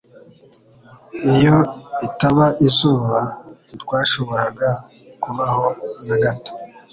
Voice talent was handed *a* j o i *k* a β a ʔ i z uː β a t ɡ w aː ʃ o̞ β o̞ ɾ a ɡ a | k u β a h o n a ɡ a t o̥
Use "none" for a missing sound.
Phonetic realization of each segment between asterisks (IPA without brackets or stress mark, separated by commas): i, t